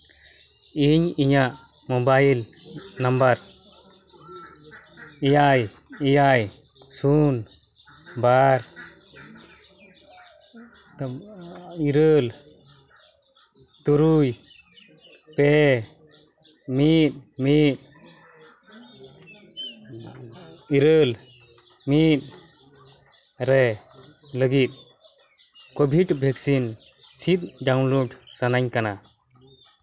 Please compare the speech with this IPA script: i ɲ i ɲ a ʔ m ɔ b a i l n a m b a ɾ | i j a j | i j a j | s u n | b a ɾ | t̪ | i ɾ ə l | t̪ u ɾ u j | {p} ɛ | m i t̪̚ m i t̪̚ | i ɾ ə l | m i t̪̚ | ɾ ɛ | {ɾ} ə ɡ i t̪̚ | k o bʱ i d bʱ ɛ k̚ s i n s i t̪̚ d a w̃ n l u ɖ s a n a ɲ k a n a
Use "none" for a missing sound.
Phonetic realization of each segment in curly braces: p, l

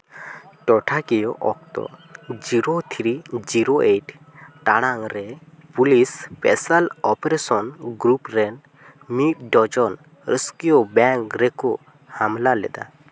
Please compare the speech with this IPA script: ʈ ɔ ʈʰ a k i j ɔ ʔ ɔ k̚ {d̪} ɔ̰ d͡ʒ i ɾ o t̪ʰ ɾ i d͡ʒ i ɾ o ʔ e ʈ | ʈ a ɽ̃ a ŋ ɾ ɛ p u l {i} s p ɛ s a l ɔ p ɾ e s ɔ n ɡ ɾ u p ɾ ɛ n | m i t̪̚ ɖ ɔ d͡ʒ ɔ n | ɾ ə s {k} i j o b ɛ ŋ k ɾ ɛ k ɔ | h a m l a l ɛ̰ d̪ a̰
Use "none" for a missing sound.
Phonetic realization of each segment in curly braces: t̪, i, k

